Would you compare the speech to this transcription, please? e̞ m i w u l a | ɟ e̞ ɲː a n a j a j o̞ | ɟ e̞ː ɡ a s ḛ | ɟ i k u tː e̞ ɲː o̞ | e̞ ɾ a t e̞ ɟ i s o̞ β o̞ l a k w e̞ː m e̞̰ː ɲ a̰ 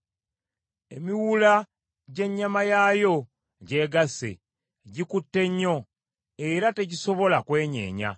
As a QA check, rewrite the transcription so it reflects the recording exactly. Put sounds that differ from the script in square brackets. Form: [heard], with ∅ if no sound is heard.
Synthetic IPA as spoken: e̞ m i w u l a | ɟ e̞ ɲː a [m] a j a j o̞ | ɟ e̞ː ɡ a s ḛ | ɟ i k u tː e̞ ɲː o̞ | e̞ ɾ a t e̞ ɟ i s o̞ β o̞ l a k w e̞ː [ɲ] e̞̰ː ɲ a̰